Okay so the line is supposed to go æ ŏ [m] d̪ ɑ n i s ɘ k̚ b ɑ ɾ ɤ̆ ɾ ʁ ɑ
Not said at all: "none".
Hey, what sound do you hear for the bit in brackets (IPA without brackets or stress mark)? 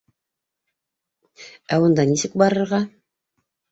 n